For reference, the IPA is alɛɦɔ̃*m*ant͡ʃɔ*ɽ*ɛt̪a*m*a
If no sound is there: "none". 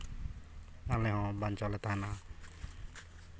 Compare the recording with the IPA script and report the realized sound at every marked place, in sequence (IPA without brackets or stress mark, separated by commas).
b, l, n